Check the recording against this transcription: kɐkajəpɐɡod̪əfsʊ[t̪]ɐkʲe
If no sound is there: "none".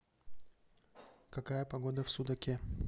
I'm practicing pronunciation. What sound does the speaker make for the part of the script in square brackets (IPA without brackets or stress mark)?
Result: d̪